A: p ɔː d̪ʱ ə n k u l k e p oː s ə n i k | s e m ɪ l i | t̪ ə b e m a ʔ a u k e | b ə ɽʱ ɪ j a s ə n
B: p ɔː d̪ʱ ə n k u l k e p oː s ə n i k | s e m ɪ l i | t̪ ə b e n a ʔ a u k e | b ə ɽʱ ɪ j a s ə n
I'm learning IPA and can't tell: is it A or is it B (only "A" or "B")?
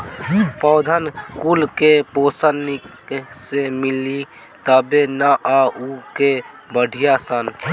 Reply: B